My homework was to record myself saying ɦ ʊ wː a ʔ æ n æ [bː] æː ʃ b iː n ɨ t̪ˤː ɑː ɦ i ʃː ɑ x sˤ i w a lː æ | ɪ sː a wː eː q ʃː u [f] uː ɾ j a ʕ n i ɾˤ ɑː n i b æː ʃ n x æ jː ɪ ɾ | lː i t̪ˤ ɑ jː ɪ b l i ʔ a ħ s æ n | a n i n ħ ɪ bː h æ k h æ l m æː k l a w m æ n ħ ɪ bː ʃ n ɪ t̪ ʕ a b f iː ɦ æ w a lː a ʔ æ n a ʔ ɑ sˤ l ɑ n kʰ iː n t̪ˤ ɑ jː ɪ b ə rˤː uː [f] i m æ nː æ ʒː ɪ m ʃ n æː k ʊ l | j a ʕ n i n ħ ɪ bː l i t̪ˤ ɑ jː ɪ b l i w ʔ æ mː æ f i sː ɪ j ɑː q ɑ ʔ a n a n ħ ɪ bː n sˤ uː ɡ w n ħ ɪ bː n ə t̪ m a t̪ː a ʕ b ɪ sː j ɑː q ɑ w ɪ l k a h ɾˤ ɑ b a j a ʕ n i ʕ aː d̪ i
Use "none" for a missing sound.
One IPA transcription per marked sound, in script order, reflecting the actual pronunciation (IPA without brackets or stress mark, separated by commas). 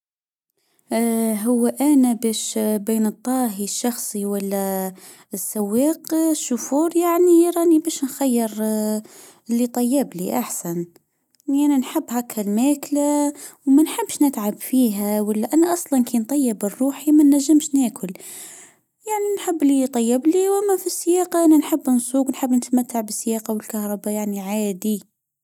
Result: b, f, ħ